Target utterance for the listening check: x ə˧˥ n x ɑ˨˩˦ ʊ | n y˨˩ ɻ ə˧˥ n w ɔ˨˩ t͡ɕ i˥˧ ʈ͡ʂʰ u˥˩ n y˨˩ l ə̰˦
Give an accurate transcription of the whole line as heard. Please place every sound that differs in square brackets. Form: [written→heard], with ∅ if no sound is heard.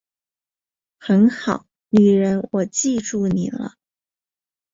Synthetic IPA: x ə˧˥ n x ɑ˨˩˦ ʊ | n y˨˩ ɻ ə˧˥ n w ɔ˨˩ t͡ɕ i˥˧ [ʈ͡ʂʰ→ʈ͡ʂ] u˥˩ n [y˨˩→i˨˩] l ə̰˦